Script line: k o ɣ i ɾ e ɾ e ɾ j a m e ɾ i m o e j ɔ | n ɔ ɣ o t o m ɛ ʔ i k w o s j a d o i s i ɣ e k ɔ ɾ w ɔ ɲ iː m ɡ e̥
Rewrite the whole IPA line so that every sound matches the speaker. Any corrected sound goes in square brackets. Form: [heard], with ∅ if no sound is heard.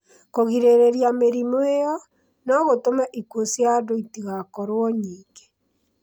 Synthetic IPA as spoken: k o ɣ i ɾ e ɾ e ɾ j a m e ɾ i m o e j ɔ | n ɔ ɣ o t o m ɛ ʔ i k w o s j a d o i [t] i ɣ [a] k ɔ ɾ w ɔ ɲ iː [ŋ] ɡ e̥